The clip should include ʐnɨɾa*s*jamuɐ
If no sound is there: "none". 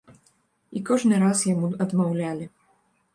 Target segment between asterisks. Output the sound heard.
s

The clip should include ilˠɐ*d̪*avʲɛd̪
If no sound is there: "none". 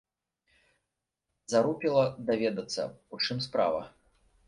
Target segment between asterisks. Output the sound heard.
d̪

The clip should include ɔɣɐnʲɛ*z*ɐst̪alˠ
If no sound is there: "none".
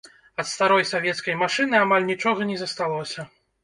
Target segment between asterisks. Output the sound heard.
z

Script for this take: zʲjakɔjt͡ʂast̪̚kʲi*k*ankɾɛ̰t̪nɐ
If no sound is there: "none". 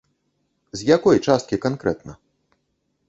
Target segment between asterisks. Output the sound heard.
k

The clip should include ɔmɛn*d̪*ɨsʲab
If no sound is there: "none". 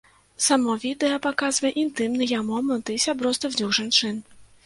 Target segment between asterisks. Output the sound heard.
t̪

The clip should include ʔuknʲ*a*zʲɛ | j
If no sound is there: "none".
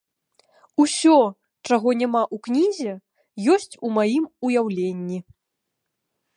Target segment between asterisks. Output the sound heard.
i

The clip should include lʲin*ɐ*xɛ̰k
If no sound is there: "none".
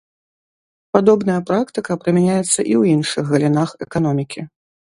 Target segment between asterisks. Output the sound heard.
a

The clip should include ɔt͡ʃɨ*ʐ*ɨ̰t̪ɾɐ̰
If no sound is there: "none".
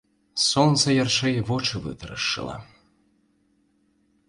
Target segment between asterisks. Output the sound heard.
v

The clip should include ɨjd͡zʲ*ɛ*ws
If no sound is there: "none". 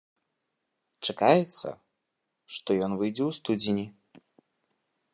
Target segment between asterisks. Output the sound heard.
ɛ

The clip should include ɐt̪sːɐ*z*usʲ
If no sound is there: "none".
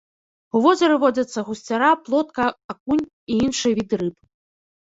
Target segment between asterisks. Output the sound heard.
ɣ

